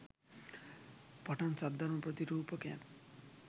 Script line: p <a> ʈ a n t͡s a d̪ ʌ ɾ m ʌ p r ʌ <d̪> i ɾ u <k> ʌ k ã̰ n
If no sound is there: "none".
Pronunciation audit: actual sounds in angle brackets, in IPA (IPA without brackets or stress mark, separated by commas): ʌ, t̪, p